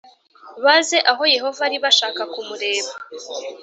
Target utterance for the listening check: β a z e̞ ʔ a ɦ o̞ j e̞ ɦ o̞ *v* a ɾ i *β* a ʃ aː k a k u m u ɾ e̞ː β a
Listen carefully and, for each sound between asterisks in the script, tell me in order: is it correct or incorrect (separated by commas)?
correct, correct